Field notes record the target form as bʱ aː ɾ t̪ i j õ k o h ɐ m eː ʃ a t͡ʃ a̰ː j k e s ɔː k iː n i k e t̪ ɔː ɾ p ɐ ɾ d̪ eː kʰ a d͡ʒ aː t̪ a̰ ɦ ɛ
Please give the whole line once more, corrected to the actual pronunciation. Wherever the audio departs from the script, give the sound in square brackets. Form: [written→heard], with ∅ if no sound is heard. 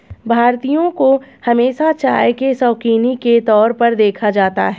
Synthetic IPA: bʱ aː ɾ t̪ i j õ k o h ɐ m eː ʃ a t͡ʃ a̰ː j k e s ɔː k iː n i k e t̪ ɔː ɾ p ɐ ɾ d̪ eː kʰ a d͡ʒ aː t̪ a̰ ɦ ɛ